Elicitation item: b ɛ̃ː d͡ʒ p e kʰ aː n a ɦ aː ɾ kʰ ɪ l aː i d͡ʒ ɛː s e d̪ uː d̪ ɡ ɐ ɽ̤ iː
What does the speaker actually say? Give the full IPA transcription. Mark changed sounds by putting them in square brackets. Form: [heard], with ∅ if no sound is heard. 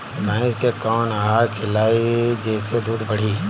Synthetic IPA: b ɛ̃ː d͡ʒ [k] e [k] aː n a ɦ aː ɾ kʰ ɪ l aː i d͡ʒ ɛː s e d̪ uː d̪ [b] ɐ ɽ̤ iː